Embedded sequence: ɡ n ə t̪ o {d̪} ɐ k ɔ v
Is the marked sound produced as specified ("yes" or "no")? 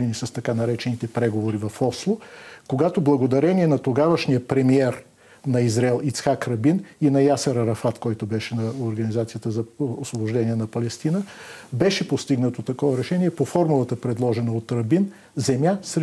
no